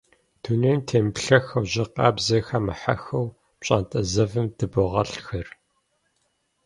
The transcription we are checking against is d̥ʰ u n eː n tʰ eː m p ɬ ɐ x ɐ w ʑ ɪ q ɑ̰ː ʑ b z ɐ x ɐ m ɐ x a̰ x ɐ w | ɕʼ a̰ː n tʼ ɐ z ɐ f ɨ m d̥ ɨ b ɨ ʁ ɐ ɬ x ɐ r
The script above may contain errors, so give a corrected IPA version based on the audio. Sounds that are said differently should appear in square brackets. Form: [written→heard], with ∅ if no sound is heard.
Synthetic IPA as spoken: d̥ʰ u n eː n tʰ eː m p ɬ ɐ x ɐ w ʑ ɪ q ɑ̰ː [ʑ→∅] b z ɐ x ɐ m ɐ [x→ħ] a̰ x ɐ w | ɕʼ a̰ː n tʼ ɐ z ɐ [f→v] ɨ m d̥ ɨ b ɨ ʁ ɐ ɬ x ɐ r